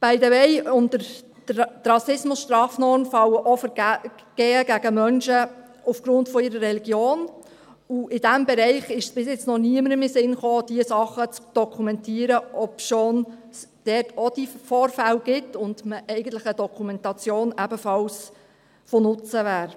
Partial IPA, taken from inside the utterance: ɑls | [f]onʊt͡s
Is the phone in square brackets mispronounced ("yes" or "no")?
no